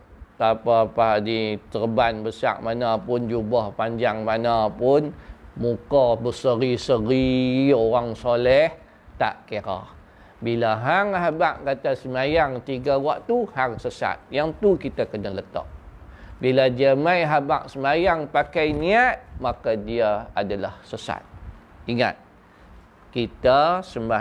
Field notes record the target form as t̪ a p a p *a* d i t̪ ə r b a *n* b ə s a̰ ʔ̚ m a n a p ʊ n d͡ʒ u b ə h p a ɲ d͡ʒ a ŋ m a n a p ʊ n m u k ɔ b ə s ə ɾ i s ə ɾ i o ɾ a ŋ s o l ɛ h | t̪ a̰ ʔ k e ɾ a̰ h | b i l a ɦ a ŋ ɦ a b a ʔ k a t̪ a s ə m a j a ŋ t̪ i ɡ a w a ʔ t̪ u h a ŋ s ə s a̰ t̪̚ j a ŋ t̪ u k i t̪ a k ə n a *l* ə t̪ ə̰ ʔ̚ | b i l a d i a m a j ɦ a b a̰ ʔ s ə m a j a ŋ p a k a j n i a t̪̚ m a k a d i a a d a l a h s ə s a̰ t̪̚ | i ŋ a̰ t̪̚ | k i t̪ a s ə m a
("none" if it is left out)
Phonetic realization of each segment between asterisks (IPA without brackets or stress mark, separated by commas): a, n, l